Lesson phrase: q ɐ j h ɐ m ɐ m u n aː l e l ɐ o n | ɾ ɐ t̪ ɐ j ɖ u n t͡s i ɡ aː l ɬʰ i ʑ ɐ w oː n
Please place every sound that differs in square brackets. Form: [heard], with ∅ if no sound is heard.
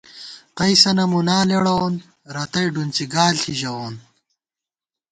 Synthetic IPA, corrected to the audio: q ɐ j [s] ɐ [n] ɐ m u n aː l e [ɽ] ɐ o n | ɾ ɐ t̪ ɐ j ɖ u n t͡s i ɡ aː l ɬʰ i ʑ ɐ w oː n